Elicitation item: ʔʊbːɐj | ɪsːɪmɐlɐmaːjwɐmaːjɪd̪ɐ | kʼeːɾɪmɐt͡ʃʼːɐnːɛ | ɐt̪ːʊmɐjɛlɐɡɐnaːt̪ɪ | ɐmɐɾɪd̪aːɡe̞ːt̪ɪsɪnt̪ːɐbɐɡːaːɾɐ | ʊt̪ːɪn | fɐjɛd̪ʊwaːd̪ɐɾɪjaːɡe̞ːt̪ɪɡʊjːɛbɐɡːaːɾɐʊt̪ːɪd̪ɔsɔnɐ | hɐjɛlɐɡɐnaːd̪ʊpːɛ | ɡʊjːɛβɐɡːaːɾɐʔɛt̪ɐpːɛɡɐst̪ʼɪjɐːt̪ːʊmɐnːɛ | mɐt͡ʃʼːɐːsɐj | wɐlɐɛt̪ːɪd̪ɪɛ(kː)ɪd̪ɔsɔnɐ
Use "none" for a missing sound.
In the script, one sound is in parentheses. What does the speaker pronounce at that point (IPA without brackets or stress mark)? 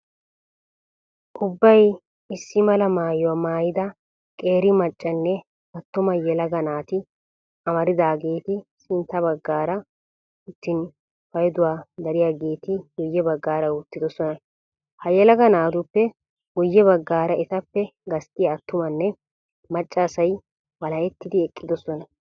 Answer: kʼː